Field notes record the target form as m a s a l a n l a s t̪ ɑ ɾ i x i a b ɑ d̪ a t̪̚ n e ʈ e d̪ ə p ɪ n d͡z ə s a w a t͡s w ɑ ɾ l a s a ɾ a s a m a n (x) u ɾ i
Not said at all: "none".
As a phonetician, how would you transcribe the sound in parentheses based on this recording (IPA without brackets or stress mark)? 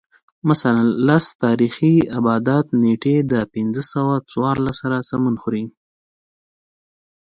x